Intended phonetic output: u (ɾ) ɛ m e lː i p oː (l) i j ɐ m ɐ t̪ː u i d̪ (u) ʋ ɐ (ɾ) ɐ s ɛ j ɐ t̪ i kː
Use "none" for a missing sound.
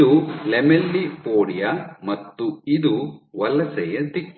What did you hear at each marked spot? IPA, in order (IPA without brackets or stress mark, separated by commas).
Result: l, ɽ, u, l